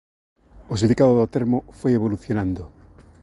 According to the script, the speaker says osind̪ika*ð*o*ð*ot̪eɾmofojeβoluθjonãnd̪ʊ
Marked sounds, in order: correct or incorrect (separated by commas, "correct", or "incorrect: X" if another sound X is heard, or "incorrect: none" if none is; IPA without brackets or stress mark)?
correct, correct